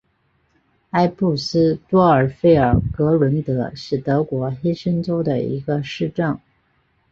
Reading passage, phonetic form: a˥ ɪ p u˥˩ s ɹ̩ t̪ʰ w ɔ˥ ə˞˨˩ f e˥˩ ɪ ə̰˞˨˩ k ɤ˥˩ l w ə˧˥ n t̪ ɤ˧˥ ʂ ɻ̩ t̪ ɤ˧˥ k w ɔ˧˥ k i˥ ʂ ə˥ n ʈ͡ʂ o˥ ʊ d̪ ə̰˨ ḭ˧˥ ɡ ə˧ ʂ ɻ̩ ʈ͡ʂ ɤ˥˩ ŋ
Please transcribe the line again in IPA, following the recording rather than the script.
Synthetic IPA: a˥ ɪ p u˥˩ s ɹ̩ t̪ w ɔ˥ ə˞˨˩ f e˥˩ ɪ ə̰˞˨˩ k ɤ˧˥ l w ə˧˥ n t̪ ɤ˧˥ ʂ ɻ̩ t̪ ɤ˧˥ k w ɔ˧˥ x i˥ ʂ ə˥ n ʈ͡ʂ o˥ ʊ d̪ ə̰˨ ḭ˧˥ ɡ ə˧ ʂ ɻ̩ ʈ͡ʂ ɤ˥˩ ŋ